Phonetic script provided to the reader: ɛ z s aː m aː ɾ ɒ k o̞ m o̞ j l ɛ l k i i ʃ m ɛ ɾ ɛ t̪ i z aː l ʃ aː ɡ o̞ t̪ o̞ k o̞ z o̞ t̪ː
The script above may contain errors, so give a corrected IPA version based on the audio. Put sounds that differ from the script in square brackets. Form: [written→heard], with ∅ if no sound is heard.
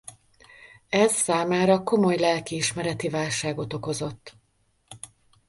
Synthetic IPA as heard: ɛ z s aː m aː ɾ ɒ k o̞ m o̞ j l ɛ l k i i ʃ m ɛ ɾ ɛ t̪ i [z→v] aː l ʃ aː ɡ o̞ t̪ o̞ k o̞ z o̞ t̪ː